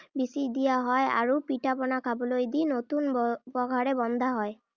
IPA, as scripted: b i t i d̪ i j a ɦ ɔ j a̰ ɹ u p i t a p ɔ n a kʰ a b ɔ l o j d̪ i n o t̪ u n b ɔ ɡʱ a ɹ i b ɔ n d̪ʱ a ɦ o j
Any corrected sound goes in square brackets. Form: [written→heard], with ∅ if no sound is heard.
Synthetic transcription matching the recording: b i [t→s] i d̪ i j a ɦ ɔ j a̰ ɹ u p i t a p ɔ n a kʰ a b ɔ l o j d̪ i n o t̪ u n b ɔ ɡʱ a ɹ [i→ɛ] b ɔ n d̪ʱ a ɦ [o→ɔ] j